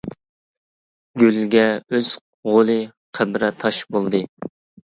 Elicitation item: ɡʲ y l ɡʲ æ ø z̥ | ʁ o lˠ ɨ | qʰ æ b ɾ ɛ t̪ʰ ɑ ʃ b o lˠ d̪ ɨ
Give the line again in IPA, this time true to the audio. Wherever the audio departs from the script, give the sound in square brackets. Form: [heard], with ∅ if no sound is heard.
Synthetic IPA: ɡʲ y l ɡʲ [ɛ] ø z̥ | ʁ o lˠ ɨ | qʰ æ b ɾ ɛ t̪ʰ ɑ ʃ b o lˠ d̪ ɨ